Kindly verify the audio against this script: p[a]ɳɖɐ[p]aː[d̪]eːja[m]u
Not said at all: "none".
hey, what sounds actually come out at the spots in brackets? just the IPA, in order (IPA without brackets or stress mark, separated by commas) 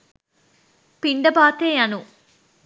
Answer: i, b, t̪, n